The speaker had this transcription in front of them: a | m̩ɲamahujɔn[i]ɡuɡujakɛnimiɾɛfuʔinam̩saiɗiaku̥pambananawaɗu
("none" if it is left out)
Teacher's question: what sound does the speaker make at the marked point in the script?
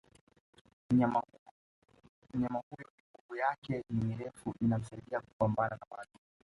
i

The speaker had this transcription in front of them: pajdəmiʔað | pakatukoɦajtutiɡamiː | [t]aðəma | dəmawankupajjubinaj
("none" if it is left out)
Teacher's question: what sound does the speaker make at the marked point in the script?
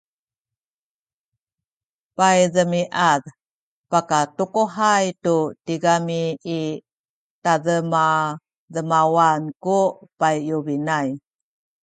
t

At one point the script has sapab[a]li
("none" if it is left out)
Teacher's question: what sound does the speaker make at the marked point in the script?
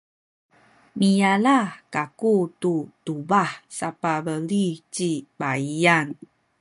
ə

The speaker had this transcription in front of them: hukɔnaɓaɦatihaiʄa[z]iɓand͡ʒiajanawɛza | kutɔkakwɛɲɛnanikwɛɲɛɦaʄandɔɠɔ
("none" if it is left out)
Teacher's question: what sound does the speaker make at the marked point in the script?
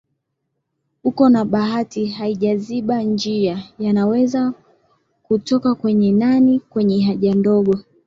z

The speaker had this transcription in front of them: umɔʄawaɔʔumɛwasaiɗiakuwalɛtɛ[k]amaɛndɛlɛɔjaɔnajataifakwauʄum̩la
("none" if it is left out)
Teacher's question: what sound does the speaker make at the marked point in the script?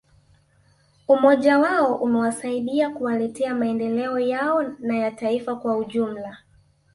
none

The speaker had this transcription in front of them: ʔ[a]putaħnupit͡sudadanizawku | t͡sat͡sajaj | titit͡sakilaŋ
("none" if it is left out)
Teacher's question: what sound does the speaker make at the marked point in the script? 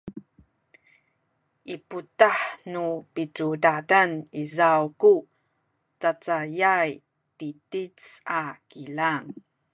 i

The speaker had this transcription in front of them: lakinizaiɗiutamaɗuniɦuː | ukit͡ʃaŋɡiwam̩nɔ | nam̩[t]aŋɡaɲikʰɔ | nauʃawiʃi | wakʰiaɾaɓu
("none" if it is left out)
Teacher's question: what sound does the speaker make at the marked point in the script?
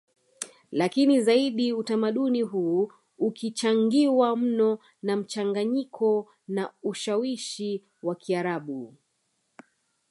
t͡ʃ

